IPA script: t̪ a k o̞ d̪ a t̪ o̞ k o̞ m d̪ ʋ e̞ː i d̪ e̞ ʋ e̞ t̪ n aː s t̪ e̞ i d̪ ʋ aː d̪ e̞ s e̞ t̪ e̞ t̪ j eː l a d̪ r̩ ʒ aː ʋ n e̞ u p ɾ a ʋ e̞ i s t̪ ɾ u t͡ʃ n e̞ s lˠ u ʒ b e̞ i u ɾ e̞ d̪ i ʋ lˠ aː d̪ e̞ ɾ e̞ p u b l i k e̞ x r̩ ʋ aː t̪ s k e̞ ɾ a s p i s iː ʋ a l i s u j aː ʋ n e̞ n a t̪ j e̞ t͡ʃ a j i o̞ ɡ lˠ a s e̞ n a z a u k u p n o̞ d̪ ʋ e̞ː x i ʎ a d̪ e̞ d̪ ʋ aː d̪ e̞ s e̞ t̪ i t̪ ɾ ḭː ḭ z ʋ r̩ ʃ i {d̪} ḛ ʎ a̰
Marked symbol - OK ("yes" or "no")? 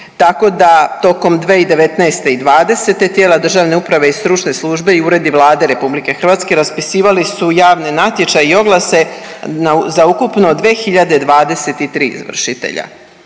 no